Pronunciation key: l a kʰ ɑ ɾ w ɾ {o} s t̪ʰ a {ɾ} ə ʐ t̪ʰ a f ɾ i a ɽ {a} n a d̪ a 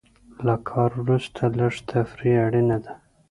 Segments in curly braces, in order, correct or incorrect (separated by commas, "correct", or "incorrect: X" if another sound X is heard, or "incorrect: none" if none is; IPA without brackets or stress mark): incorrect: u, incorrect: l, incorrect: i